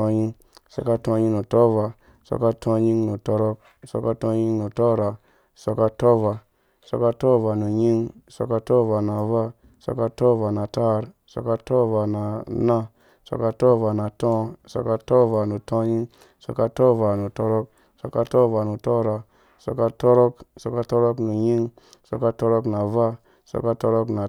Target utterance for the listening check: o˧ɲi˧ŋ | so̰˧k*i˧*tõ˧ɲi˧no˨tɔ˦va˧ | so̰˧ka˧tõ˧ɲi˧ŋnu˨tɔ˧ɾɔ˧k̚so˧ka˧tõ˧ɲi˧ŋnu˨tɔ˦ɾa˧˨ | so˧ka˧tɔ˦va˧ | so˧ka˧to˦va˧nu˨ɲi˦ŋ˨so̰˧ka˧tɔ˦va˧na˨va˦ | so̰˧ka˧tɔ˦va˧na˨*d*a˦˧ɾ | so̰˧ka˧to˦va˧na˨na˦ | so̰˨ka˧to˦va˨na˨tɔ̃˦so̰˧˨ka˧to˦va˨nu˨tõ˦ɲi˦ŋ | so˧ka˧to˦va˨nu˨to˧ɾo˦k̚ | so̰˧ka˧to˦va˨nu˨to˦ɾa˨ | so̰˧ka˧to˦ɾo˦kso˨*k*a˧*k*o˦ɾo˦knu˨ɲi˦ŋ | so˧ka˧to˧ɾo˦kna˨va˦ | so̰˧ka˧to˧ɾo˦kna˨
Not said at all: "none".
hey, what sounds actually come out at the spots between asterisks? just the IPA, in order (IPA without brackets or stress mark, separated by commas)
a˧, t, k, t